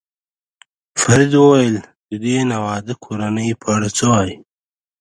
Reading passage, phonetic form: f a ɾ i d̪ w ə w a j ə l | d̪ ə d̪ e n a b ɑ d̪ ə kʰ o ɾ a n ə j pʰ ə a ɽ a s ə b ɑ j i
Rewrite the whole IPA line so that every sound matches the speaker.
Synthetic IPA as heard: f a ɾ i d̪ w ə w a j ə l | d̪ ə d̪ e n a w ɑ d̪ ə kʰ o ɾ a n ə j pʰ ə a ɽ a t͡s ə w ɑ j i